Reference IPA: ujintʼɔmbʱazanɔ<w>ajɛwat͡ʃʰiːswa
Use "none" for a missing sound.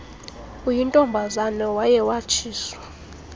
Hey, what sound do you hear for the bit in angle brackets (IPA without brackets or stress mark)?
w